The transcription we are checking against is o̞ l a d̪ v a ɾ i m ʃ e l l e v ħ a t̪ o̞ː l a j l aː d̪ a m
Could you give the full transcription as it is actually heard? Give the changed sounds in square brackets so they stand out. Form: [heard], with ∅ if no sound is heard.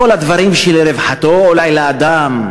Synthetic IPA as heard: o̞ l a d̪ v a ɾ i m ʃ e l [ɾ] e v ħ a t̪ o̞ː l a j l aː d̪ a m